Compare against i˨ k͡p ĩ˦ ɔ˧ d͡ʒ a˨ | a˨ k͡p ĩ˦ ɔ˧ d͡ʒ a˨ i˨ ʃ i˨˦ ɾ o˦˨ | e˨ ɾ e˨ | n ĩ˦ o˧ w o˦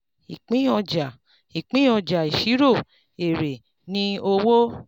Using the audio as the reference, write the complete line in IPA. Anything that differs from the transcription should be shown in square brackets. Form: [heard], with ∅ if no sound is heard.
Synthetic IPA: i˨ k͡p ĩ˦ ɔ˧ d͡ʒ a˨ | [i˨] k͡p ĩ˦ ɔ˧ d͡ʒ a˨ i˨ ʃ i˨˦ ɾ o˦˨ | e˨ ɾ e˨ | n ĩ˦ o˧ w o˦